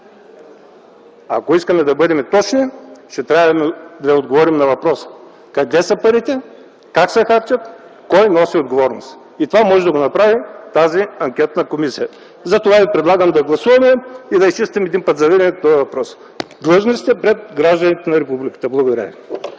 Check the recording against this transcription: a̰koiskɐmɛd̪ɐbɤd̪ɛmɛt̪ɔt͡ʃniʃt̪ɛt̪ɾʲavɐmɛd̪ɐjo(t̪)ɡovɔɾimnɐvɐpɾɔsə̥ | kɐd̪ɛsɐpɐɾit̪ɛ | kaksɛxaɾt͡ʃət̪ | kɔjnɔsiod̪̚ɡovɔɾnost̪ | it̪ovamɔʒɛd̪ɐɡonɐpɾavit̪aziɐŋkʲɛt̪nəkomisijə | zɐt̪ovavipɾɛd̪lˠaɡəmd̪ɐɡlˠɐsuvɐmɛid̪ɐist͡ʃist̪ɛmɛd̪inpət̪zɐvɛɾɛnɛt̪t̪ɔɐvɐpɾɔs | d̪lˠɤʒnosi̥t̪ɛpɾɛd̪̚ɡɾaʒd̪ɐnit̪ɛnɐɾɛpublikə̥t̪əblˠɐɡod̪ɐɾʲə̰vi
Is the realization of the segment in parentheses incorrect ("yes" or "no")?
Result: yes